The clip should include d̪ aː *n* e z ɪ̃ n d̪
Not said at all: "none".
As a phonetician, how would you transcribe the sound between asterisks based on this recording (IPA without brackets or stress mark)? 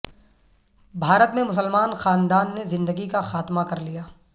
nː